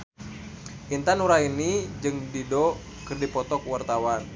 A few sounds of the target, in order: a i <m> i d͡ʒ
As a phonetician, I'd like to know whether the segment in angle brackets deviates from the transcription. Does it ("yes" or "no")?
yes